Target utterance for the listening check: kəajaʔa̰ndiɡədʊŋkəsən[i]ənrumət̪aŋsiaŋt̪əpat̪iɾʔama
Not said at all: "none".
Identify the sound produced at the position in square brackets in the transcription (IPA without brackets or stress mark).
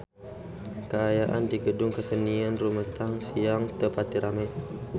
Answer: i